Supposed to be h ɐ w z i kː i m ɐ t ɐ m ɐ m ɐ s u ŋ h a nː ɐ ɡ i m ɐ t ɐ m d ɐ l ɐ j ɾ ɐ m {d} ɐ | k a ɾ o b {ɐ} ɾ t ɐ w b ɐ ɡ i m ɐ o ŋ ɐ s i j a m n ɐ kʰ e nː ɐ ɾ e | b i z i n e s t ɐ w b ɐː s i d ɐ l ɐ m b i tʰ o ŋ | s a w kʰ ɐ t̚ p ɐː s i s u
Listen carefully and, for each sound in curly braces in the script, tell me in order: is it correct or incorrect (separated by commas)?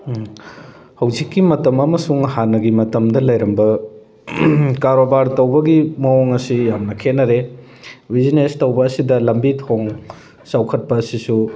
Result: incorrect, incorrect